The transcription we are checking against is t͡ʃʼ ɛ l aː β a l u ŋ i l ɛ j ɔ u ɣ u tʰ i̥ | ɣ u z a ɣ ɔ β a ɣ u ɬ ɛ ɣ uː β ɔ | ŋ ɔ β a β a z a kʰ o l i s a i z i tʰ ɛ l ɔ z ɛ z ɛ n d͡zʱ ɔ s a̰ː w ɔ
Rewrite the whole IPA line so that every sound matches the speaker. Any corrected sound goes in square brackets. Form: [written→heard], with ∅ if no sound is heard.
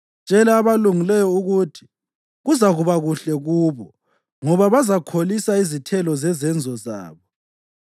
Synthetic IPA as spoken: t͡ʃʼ ɛ l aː β a l u ŋ i l ɛ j ɔ u ɣ u tʰ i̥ | ɣ u z a ɣ [ɔ→u] β a ɣ u ɬ ɛ ɣ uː β ɔ | ŋ ɔ β a β a z a kʰ o l i s a i z i tʰ ɛ l ɔ z ɛ z ɛ n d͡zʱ ɔ [s→z] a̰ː [w→β] ɔ